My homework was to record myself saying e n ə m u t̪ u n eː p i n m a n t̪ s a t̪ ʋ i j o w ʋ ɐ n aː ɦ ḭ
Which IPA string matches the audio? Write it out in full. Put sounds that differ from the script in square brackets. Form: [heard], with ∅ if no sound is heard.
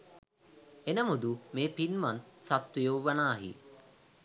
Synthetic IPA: e n ə m u [d̪] u [m] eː p i n m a n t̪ s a t̪ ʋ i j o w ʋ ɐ n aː ɦ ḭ